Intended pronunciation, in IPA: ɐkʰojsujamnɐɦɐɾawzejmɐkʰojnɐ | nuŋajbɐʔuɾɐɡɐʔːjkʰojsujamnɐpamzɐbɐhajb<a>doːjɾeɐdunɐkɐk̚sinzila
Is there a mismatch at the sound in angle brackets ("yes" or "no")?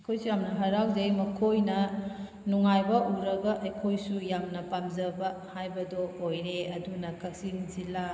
yes